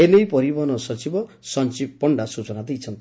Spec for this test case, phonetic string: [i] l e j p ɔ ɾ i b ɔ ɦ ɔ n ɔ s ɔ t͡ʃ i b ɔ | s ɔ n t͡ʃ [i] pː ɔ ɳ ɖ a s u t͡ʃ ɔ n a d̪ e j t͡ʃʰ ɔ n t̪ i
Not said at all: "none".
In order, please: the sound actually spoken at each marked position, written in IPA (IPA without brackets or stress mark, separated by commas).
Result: e, i